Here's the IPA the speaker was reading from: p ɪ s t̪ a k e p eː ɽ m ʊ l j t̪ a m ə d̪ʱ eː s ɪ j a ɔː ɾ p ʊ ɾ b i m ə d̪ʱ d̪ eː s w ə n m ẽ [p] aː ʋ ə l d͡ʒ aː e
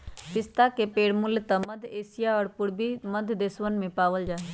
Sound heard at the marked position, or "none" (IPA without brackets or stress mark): p